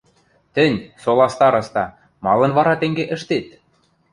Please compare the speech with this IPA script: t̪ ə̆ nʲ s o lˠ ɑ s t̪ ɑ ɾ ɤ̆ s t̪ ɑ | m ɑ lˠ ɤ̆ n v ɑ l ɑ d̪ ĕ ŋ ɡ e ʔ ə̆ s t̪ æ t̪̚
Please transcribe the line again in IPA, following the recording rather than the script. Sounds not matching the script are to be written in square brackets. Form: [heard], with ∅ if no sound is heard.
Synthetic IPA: t̪ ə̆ nʲ s o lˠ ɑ s t̪ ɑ ɾ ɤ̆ s t̪ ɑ | m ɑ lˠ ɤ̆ n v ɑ [ɾ] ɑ [t̪] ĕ ŋ ɡ e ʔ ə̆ [ʃ] t̪ [e] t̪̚